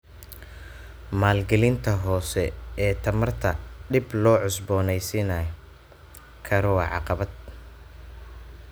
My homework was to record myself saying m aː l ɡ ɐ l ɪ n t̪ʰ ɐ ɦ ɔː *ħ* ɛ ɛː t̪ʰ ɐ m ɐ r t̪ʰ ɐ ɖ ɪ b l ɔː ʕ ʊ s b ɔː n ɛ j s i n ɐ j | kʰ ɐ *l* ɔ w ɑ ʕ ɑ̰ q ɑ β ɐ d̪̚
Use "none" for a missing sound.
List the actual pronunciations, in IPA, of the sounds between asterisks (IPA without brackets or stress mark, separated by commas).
s, ɾ